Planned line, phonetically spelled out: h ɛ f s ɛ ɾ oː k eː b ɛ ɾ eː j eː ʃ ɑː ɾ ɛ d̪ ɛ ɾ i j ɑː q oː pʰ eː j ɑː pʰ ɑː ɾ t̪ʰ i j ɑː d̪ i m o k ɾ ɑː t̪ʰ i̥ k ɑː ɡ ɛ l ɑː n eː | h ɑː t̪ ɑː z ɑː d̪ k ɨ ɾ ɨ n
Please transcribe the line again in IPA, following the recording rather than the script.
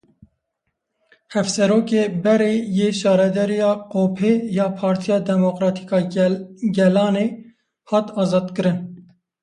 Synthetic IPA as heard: h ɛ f s ɛ ɾ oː k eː b ɛ ɾ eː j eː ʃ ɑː ɾ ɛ d̪ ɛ ɾ i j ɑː q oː pʰ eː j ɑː pʰ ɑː ɾ t̪ʰ i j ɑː d̪ ɛ m o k ɾ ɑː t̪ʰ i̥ k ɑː ɡ ɛ l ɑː n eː | h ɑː t̪ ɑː z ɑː d̪ k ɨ ɾ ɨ n